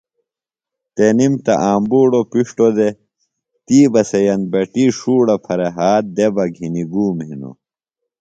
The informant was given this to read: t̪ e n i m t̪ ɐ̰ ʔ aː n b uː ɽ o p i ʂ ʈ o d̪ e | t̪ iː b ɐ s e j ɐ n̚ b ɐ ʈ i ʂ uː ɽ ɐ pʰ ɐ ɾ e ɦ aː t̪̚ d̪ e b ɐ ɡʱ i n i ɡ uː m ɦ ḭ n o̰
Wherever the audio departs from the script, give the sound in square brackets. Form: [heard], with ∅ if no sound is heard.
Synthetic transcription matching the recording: t̪ e n i m t̪ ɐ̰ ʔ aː [m] b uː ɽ o p i ʂ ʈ o d̪ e | t̪ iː b ɐ s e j ɐ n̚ b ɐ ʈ i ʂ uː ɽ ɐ pʰ ɐ ɾ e ɦ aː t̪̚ d̪ e b ɐ ɡʱ i n i ɡ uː m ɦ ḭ n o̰